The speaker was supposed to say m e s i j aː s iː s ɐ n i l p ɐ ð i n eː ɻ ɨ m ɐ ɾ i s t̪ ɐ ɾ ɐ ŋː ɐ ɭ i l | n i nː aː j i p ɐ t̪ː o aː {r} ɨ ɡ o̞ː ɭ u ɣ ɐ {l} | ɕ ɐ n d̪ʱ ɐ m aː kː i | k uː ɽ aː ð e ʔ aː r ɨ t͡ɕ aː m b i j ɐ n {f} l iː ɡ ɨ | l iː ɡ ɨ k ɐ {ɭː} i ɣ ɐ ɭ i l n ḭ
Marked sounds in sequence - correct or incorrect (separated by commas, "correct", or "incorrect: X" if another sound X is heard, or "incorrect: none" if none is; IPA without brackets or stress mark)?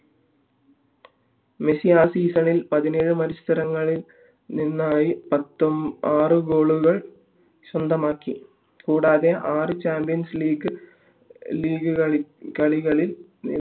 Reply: correct, incorrect: ɭ, incorrect: s, incorrect: ɭ